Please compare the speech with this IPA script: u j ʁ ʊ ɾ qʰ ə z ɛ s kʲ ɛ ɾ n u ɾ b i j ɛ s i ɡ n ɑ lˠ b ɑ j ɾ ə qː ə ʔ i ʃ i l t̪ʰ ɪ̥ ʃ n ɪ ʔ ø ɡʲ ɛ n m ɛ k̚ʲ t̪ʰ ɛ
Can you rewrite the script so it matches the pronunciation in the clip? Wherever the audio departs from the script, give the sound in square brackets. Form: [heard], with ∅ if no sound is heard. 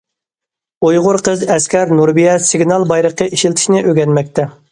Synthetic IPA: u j ʁ ʊ ɾ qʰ ə z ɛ s kʲ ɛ ɾ n u ɾ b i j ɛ s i ɡ n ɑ lˠ b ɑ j ɾ ə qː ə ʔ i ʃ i l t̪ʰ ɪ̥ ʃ n ɪ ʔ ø ɡʲ ɛ n m ɛ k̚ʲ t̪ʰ ɛ